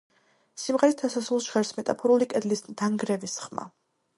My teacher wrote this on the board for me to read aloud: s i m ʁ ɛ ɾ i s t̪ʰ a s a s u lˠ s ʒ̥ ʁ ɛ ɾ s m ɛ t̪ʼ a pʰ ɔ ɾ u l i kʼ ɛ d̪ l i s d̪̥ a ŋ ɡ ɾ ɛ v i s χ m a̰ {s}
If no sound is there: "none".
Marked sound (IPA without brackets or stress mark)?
none